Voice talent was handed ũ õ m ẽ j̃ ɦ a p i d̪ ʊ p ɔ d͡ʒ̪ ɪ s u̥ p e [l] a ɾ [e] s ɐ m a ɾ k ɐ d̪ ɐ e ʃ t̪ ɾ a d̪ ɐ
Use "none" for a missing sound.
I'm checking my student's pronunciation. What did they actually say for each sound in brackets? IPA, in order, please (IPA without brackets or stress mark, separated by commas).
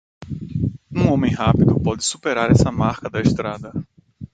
ɾ, ɛ